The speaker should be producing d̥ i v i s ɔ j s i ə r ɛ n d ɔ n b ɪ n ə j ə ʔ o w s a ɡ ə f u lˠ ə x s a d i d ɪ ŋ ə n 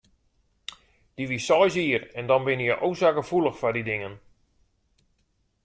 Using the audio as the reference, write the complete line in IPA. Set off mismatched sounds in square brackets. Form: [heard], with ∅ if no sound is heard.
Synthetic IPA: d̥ i [ʋ] i s ɔ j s i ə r ɛ n d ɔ n b ɪ n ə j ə ʔ o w s a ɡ ə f u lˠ ə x [f] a d i d ɪ ŋ ə n